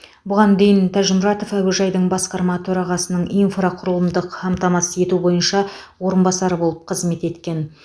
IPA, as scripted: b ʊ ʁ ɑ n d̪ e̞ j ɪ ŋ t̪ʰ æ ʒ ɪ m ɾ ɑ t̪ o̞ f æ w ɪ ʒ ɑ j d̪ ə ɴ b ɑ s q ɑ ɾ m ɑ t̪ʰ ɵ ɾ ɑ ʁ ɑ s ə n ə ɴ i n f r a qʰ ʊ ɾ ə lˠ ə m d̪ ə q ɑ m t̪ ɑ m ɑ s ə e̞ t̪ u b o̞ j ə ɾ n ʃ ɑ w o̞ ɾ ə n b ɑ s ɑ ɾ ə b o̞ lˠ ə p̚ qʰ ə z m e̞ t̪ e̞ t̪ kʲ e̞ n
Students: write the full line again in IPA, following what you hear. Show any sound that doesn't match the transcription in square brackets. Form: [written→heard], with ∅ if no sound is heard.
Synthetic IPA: b ʊ ʁ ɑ n d̪ e̞ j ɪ [ŋ→n] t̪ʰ æ ʒ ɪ m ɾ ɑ t̪ o̞ f æ w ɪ ʒ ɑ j d̪ ə ɴ b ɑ s q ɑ ɾ m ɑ t̪ʰ ɵ ɾ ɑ ʁ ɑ s ə n ə ɴ i n f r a qʰ ʊ ɾ ə lˠ ə m d̪ ə q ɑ m t̪ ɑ m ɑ s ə e̞ t̪ u b o̞ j ə [ɾ→∅] n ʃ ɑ w o̞ ɾ ə n b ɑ s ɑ ɾ ə b o̞ lˠ ə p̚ qʰ ə z m e̞ t̪ e̞ t̪ kʲ e̞ n

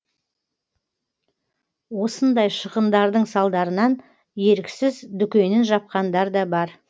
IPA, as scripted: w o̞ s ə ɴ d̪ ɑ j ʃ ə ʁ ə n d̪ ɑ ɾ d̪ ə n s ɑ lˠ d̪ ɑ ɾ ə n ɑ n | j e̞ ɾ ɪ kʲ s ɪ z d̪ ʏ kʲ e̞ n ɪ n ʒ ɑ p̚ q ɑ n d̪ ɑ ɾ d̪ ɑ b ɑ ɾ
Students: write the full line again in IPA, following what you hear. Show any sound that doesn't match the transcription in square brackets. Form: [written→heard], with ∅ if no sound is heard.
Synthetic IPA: w o̞ s ə [ɴ→n] d̪ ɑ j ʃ ə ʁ ə n d̪ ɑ ɾ d̪ ə [n→ɴ] s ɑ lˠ d̪ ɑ ɾ ə n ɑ n | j e̞ ɾ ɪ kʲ s ɪ z d̪ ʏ kʲ e̞ n ɪ n ʒ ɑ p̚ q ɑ n d̪ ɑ ɾ d̪ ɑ b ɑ ɾ

